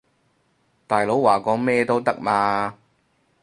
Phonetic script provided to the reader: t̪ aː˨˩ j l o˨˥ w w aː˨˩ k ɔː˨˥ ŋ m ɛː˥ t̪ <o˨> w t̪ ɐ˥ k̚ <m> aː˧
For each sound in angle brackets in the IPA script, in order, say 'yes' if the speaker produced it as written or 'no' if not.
no, yes

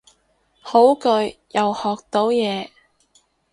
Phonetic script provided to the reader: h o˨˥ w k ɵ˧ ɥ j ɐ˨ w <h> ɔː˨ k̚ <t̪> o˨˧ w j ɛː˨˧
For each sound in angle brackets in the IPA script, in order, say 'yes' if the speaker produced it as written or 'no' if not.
yes, yes

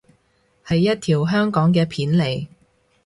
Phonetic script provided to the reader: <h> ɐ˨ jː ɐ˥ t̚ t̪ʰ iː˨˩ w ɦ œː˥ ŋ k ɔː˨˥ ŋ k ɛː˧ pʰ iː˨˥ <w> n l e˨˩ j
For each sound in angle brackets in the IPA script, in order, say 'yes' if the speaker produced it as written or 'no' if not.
yes, no

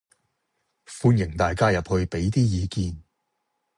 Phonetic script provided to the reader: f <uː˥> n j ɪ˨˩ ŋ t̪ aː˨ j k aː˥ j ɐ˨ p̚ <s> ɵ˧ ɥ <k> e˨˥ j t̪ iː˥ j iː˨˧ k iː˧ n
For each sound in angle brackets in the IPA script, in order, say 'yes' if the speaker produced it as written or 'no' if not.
no, no, no

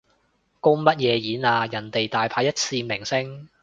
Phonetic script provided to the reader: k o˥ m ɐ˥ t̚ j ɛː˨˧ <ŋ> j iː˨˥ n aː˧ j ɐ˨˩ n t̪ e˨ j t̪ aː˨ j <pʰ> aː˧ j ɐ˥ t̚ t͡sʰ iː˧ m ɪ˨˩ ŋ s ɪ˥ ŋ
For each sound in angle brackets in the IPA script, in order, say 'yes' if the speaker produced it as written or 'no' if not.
no, yes

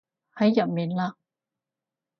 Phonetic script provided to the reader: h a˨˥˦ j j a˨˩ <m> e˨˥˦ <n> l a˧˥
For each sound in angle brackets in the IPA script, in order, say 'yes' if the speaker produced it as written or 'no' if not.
yes, yes

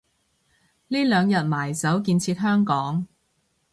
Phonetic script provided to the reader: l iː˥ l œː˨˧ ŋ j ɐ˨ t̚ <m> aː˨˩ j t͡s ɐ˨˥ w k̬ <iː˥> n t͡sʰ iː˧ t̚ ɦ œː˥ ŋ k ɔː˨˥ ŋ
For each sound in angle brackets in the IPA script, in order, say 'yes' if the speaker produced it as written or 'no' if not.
yes, no

